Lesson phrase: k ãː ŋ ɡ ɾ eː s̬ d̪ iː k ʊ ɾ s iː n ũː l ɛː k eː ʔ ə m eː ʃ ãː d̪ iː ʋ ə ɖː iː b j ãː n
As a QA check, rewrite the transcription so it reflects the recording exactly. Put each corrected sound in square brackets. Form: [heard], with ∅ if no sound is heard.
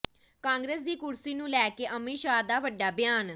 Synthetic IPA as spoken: k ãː ŋ ɡ ɾ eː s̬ d̪ iː k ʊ ɾ s iː n ũː l ɛː k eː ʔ ə m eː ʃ [aː] d̪ [aː] ʋ ə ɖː [aː] b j [aː] n